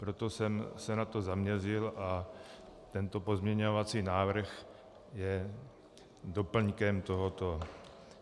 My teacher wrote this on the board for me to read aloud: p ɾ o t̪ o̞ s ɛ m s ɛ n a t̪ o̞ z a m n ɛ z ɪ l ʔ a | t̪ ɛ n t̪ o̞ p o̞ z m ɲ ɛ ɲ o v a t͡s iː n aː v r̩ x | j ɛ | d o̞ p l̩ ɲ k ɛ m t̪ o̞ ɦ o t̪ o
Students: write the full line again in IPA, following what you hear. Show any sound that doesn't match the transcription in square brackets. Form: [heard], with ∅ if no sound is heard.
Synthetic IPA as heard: p ɾ o t̪ o̞ s ɛ m s ɛ n a t̪ o̞ z a m [ɲ] ɛ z ɪ l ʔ a | t̪ ɛ n t̪ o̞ p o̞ z m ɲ ɛ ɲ o v a t͡s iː n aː v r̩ x | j ɛ | d o̞ p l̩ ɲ k ɛ m t̪ o̞ ɦ o t̪ o